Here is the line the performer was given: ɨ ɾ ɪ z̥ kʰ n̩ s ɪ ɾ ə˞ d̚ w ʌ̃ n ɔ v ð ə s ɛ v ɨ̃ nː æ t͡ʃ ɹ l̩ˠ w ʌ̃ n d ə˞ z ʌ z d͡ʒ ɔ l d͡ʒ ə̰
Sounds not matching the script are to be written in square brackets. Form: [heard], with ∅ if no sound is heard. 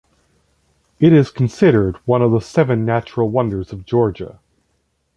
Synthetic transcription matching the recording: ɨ ɾ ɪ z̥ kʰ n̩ s ɪ ɾ ə˞ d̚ w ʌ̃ n [ʌ] v ð ə s ɛ v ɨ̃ nː æ t͡ʃ ɹ l̩ˠ w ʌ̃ n d ə˞ z ʌ [v] d͡ʒ ɔ [ɹ] d͡ʒ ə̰